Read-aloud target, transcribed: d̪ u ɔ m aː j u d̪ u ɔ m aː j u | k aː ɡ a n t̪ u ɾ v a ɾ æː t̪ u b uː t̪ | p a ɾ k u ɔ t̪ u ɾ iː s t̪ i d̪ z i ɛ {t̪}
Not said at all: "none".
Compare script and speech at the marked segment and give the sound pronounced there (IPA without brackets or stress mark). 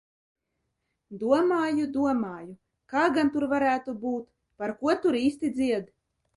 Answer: d̪